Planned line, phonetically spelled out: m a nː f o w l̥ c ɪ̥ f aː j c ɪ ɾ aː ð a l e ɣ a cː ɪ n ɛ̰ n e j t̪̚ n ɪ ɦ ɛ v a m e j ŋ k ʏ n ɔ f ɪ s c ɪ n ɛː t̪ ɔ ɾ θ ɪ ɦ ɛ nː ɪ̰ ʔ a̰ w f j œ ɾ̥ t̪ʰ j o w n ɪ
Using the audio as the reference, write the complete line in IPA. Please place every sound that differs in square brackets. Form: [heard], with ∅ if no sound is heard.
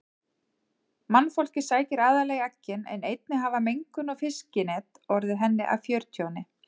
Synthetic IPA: m a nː f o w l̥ c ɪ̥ [s] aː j c ɪ ɾ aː ð a l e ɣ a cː ɪ n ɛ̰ n e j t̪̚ n ɪ ɦ [a] v a m e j ŋ k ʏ n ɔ f ɪ s c ɪ n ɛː t̪ ɔ ɾ [ð] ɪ ɦ ɛ nː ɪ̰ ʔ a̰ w f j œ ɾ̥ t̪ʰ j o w n ɪ